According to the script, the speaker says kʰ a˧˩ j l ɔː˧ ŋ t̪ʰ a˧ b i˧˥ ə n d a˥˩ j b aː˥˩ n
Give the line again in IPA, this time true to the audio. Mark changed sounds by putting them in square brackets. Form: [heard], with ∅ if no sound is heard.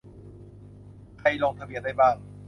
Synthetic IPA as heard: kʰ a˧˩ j l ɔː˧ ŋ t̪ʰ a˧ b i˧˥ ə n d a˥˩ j b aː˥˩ [ŋ]